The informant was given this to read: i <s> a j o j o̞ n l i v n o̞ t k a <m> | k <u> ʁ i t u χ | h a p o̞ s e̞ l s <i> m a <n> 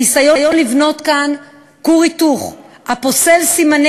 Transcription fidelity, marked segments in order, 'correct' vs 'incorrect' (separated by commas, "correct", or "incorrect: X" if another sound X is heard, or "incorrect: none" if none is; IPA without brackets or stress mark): correct, incorrect: n, correct, correct, correct